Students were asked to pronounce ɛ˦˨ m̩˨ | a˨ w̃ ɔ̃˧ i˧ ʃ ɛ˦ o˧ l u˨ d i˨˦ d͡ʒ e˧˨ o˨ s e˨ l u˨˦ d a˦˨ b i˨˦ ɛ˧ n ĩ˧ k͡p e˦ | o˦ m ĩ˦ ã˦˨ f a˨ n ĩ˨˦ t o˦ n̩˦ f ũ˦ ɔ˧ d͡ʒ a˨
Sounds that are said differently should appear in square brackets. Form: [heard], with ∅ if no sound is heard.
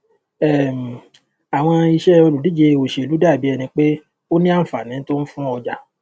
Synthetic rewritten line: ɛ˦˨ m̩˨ | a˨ w̃ ɔ̃˧ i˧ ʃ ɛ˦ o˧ l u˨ d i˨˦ d͡ʒ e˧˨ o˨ [ʃ] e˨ l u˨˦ d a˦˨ b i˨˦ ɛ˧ n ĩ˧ k͡p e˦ | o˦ [n] ĩ˦ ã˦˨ f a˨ n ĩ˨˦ t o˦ n̩˦ f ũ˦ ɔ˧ d͡ʒ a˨